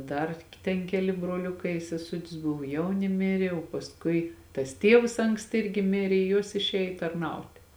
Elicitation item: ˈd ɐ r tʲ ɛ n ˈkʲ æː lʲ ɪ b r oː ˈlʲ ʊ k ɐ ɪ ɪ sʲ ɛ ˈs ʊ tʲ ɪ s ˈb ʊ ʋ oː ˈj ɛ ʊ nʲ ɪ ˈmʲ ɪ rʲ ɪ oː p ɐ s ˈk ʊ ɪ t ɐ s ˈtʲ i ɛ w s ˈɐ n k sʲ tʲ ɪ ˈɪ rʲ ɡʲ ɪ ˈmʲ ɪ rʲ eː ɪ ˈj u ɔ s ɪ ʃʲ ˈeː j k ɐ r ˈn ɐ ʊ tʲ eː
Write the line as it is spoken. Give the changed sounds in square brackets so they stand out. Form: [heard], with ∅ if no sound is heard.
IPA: ˈd ɐ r tʲ ɛ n ˈkʲ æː lʲ ɪ b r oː ˈlʲ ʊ k ɐ ɪ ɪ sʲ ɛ ˈs ʊ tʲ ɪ s ˈb ʊ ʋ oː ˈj ɛ ʊ nʲ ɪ ˈmʲ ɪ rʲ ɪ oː p ɐ s ˈk ʊ ɪ t ɐ s ˈtʲ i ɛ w s ˈɐ [ŋ] k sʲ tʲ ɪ ˈɪ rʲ ɡʲ ɪ ˈmʲ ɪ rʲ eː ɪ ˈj u ɔ s ɪ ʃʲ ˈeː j [t] ɐ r ˈn ɐ ʊ tʲ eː